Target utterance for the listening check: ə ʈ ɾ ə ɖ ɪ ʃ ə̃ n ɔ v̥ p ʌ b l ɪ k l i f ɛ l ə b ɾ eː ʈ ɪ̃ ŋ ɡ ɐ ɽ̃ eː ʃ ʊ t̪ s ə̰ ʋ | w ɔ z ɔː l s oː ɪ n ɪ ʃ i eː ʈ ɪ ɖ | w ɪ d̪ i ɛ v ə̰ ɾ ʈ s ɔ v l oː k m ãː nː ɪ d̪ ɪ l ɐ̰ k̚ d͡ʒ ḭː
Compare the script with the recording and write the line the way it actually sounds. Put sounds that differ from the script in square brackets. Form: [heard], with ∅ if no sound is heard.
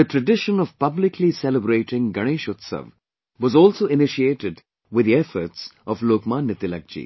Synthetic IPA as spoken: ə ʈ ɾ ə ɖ ɪ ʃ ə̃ n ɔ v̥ p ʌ b l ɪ k l i [s] ɛ l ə b ɾ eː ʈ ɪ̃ ŋ ɡ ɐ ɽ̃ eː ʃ ʊ t̪ s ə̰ ʋ | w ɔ z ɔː l s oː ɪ n ɪ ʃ i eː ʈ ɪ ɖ | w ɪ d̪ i ɛ [f] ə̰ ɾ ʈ s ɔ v l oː k m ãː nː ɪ [t̪] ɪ l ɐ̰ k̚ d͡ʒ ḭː

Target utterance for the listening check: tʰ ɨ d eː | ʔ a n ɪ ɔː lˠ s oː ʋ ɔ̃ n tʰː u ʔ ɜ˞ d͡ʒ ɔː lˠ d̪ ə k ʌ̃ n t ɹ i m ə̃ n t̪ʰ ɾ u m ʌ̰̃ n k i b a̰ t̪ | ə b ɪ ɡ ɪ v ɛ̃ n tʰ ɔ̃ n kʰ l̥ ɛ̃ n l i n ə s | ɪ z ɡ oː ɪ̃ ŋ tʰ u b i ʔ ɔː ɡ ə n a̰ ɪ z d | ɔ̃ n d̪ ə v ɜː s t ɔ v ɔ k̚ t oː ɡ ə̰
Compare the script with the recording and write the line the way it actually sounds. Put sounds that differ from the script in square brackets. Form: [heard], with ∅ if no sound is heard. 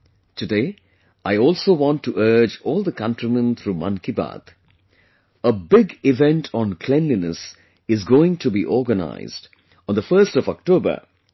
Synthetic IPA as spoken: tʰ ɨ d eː | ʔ a [∅] ɪ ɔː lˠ s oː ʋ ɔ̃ n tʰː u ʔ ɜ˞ d͡ʒ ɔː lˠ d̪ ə k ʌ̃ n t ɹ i m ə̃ n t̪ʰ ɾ u m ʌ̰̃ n k i b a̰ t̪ | ə b ɪ ɡ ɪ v ɛ̃ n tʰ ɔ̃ n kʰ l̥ ɛ̃ n l i n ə s | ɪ z ɡ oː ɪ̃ ŋ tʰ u b i ʔ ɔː ɡ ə n a̰ ɪ z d | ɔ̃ n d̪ ə [f] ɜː s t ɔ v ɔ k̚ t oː [b] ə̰

